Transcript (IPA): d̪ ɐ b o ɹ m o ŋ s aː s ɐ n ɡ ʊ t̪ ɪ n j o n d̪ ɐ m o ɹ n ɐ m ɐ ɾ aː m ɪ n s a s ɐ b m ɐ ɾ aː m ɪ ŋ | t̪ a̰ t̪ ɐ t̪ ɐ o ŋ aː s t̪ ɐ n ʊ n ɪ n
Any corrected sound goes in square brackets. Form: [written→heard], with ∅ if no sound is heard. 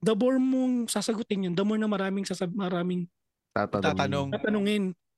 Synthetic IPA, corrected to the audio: d̪ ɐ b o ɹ m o ŋ s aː s ɐ [n→∅] ɡ ʊ t̪ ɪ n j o n d̪ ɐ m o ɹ n ɐ m ɐ ɾ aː m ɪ [n→ŋ] s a s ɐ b m ɐ ɾ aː m ɪ ŋ | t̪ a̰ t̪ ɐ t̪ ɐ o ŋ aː [s→∅] t̪ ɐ n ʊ [n→ŋ] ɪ n